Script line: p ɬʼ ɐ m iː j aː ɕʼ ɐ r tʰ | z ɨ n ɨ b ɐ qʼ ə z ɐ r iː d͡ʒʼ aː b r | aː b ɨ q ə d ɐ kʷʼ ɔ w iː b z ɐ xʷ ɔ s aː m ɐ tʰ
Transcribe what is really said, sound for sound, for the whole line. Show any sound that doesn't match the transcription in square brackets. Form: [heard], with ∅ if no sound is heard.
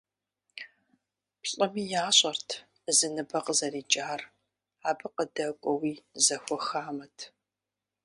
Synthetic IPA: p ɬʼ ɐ m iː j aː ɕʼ ɐ r tʰ | z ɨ n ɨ b ɐ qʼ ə z ɐ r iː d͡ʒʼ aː [∅] r | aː b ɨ q ə d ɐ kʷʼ ɔ w iː [∅] z ɐ xʷ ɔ [x] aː m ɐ tʰ